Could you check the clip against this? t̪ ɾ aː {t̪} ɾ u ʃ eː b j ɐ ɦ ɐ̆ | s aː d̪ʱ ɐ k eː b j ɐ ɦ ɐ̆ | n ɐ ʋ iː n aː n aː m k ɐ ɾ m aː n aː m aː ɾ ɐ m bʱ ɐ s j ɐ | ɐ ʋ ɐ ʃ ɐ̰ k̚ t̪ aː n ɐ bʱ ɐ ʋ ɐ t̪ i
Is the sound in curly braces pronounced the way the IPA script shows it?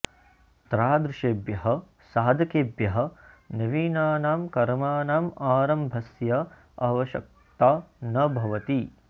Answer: no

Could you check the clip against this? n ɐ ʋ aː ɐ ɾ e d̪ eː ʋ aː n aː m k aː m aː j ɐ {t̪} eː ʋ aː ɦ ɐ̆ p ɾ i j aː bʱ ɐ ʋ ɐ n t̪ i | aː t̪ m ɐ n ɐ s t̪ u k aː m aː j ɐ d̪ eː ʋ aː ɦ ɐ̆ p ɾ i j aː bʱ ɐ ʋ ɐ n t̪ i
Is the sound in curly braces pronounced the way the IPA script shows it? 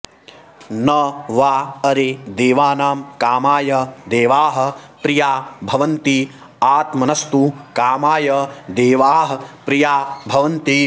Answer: no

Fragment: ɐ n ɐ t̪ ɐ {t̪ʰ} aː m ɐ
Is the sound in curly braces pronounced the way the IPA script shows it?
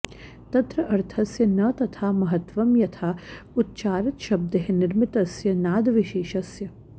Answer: yes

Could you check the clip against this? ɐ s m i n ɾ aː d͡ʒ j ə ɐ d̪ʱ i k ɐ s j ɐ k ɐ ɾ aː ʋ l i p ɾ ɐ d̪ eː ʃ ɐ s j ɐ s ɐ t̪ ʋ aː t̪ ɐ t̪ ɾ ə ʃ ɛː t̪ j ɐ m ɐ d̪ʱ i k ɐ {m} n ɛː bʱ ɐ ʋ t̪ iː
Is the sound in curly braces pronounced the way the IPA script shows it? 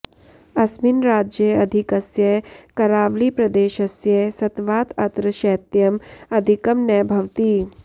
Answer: yes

